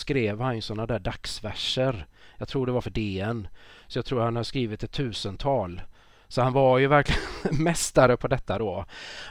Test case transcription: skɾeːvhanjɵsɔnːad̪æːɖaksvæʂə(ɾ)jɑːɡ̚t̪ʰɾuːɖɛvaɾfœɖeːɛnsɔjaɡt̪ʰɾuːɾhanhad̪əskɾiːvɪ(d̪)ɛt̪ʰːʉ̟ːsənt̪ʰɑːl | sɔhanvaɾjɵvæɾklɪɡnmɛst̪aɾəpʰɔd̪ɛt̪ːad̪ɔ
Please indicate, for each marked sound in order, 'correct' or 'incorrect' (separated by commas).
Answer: correct, incorrect